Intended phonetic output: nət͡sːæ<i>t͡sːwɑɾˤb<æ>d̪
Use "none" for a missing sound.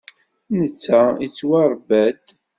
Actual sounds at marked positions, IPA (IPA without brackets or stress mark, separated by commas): i, æ